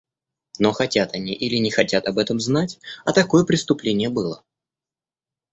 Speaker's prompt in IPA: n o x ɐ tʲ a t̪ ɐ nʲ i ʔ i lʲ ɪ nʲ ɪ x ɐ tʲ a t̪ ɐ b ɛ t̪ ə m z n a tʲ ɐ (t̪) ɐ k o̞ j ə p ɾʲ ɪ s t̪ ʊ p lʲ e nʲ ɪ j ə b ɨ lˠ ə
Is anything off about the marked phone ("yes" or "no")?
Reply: no